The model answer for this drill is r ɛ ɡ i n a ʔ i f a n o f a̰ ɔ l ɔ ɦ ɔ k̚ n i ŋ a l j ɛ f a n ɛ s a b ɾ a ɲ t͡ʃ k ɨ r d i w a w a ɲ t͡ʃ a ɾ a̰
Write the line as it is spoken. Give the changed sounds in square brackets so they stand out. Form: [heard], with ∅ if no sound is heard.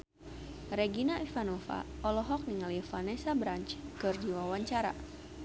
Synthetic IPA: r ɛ ɡ i n a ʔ i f a n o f a̰ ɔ l ɔ ɦ ɔ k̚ n i ŋ a l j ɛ f a n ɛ s a b ɾ a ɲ t͡ʃ k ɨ r [d͡ʒ] i w a w a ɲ t͡ʃ a ɾ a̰